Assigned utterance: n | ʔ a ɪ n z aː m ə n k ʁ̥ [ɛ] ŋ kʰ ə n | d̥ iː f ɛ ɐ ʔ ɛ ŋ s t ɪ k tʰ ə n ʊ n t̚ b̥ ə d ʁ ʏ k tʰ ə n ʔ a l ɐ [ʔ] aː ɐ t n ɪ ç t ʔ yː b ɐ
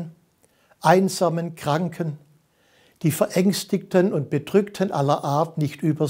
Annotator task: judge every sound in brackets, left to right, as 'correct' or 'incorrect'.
incorrect: a, correct

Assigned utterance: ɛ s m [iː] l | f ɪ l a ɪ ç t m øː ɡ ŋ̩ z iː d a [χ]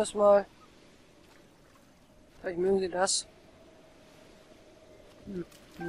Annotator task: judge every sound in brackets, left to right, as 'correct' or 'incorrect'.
incorrect: aː, incorrect: s

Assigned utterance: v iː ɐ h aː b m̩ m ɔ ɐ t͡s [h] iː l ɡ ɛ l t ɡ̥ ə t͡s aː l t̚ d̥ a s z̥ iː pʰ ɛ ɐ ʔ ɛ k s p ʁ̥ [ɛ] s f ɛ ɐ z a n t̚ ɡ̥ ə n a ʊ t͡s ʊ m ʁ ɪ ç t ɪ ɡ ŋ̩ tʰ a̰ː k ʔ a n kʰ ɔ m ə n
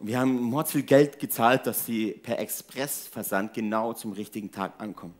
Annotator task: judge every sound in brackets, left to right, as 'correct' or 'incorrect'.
incorrect: f, correct

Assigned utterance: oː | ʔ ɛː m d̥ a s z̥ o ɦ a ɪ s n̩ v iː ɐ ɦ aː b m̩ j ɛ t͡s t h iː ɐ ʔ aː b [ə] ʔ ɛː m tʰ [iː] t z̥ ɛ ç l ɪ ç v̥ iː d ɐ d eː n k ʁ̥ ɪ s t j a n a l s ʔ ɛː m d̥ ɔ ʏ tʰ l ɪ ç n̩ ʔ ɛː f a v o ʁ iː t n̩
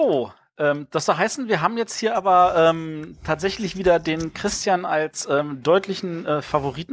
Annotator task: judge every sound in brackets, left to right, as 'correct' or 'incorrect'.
incorrect: ɐ, incorrect: aː

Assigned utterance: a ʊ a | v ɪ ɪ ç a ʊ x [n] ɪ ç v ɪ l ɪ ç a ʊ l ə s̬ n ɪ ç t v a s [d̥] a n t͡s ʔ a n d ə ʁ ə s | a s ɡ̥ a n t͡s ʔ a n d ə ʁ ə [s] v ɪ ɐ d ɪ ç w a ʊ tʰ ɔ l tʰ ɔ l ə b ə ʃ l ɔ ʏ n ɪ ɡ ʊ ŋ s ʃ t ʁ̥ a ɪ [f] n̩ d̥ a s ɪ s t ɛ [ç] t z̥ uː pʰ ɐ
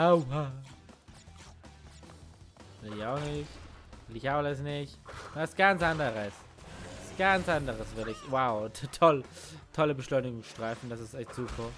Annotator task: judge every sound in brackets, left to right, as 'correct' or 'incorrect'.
correct, incorrect: ɡ̥, correct, correct, correct

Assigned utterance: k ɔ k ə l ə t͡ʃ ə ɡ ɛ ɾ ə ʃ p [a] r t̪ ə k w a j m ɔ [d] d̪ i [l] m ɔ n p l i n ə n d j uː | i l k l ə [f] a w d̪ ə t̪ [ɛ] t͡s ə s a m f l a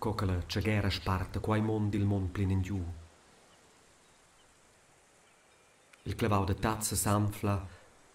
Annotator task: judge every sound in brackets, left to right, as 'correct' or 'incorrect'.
correct, incorrect: n, correct, incorrect: v, incorrect: a

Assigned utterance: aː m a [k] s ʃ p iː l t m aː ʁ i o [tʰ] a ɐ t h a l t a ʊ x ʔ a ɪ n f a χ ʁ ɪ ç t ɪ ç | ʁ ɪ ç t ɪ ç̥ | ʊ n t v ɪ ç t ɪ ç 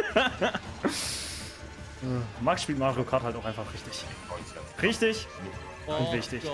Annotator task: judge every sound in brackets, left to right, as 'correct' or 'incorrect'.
correct, incorrect: kʰ

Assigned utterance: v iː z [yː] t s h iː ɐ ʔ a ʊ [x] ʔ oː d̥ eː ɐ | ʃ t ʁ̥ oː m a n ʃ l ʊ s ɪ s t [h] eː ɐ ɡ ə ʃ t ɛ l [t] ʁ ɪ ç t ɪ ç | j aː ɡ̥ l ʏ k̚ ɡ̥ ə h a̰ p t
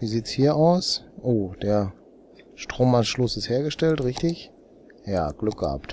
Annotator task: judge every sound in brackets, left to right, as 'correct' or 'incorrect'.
incorrect: iː, incorrect: s, correct, correct

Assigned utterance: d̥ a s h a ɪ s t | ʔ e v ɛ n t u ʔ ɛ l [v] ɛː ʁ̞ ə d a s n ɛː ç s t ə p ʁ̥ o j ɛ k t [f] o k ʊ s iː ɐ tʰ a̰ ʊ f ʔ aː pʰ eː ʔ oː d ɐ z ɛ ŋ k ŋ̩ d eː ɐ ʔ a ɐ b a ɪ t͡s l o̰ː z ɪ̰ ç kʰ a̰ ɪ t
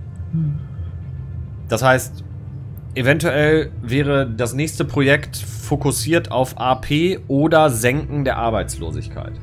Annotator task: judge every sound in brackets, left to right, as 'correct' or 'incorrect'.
correct, correct

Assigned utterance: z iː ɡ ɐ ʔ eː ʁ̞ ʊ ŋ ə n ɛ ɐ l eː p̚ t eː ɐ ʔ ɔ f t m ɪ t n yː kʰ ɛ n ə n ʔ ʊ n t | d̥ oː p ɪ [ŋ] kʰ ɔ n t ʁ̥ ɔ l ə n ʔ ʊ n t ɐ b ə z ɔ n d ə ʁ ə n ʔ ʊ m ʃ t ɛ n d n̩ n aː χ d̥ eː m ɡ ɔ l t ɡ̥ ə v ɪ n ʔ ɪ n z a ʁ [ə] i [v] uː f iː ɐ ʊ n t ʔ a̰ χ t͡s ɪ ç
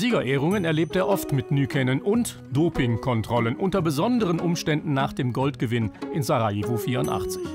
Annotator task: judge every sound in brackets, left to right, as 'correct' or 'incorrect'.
correct, incorrect: a, correct

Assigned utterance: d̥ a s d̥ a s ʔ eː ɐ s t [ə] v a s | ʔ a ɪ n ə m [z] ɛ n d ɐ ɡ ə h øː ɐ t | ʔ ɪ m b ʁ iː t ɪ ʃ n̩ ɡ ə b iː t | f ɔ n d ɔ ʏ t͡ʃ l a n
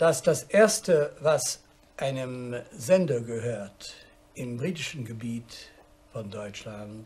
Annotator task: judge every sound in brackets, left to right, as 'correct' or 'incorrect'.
correct, correct

